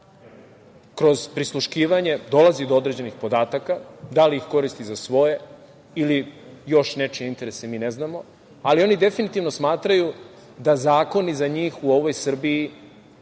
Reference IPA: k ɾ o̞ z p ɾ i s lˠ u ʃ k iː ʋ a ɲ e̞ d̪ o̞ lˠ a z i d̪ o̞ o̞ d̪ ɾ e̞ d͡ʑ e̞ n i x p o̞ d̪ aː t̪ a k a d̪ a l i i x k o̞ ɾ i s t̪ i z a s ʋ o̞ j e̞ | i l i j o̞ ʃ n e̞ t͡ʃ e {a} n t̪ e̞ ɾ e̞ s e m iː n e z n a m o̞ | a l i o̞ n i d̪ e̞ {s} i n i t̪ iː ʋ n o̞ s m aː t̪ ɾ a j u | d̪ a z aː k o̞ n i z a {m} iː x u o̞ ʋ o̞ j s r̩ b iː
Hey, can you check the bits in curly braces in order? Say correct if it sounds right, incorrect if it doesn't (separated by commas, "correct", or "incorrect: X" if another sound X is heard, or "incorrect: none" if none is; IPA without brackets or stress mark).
incorrect: i, incorrect: f, incorrect: ɲ